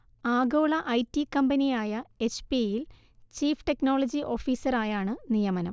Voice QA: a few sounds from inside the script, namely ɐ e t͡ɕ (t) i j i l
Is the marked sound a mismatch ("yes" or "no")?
yes